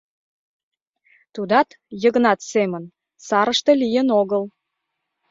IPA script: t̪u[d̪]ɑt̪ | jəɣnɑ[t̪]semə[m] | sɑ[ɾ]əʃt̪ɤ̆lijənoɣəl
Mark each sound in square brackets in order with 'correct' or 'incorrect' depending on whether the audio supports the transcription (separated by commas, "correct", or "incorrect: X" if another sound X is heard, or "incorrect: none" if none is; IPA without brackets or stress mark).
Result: correct, correct, incorrect: n, correct